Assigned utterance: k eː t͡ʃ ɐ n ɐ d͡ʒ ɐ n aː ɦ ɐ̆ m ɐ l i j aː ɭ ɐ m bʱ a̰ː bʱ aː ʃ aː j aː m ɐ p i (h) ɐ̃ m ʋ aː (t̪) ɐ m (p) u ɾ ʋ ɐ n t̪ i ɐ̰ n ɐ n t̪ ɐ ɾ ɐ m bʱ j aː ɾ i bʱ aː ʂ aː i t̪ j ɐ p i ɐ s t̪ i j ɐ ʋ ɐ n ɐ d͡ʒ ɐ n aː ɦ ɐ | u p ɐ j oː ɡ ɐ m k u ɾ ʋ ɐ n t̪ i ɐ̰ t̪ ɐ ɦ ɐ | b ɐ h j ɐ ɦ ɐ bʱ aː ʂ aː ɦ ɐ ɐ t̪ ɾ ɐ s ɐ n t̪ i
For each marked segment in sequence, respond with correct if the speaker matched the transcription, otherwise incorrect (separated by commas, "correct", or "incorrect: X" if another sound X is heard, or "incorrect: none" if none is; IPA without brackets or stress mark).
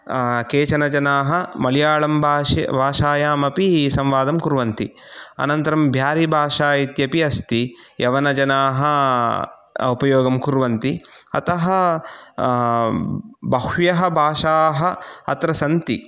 incorrect: s, incorrect: d̪, incorrect: k